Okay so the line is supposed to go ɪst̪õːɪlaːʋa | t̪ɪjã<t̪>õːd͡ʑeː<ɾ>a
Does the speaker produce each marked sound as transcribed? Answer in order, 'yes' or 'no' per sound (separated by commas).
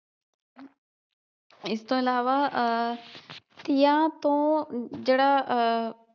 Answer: yes, no